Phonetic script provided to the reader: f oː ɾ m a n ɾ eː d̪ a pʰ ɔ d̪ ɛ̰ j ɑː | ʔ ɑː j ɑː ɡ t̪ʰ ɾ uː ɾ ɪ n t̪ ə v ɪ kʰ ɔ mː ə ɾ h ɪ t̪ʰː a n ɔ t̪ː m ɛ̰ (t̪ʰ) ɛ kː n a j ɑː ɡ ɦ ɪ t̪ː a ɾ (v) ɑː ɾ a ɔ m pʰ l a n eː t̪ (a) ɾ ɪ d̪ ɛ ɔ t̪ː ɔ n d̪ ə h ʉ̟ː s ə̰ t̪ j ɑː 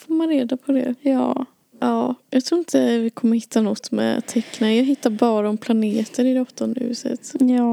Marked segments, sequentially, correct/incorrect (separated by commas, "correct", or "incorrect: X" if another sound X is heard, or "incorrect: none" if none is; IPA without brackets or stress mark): correct, incorrect: b, incorrect: ə